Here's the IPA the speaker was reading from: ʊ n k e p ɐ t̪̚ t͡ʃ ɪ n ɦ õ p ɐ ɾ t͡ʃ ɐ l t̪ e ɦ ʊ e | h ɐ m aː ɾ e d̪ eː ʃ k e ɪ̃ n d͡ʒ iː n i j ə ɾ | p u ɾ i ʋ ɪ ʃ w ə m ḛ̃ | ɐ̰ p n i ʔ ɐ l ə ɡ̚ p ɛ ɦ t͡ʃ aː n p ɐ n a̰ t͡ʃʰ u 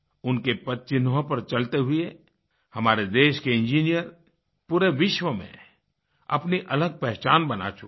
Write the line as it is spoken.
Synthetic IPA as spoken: ʊ n k e p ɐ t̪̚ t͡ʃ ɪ n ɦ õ p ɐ ɾ t͡ʃ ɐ l t̪ e ɦ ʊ e | h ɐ m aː ɾ e d̪ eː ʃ k e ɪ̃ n d͡ʒ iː n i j ə ɾ | p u ɾ e ʋ ɪ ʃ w ə m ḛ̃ | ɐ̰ p n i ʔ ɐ l ə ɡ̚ p ɛ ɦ t͡ʃ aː n b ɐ n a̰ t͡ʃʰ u